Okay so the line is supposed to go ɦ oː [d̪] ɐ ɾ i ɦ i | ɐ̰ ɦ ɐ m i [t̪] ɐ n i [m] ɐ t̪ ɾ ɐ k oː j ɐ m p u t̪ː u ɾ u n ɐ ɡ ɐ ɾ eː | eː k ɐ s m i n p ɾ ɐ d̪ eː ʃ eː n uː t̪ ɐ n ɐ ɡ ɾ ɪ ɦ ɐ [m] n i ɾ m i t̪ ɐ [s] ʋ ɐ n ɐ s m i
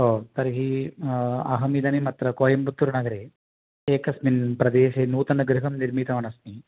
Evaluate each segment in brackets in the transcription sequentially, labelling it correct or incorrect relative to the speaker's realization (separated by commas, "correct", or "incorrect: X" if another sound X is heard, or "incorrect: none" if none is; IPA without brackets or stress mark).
incorrect: t̪, incorrect: d̪, correct, correct, incorrect: none